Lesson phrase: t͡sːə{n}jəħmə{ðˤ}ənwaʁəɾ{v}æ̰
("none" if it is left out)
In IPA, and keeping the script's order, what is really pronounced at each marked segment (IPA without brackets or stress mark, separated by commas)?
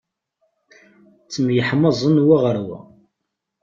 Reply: m, zˤ, w